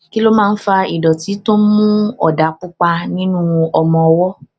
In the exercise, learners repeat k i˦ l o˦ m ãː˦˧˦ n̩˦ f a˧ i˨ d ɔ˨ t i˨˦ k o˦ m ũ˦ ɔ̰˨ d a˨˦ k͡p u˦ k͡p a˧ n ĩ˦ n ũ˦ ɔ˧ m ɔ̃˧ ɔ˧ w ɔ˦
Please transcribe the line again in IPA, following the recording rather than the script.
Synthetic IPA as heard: k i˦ l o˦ m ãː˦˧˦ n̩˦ f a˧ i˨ d ɔ˨ t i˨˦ t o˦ m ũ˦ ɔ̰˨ d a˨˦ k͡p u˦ k͡p a˧ n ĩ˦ n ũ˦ ɔ˧ m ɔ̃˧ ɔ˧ w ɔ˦